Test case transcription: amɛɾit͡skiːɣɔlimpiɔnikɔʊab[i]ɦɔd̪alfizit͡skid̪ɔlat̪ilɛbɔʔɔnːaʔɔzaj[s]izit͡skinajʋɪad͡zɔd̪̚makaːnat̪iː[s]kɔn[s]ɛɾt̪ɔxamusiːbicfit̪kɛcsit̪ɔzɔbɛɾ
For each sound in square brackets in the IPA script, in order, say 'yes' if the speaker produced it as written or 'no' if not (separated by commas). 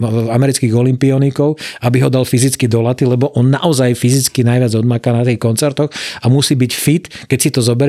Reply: yes, no, no, no